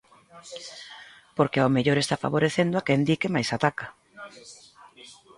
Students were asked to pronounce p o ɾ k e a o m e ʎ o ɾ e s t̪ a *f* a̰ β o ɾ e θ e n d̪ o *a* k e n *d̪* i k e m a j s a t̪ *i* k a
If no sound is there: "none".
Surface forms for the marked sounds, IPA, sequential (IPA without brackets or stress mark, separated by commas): f, a, d̪, a